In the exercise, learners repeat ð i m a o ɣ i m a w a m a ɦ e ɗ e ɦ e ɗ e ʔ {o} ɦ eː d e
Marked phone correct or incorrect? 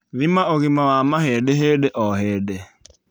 incorrect